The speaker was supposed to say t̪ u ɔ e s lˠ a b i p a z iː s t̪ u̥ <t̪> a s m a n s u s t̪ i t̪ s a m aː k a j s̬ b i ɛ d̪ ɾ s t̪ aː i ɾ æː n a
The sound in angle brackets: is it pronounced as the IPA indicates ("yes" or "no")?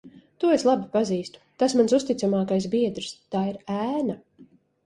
yes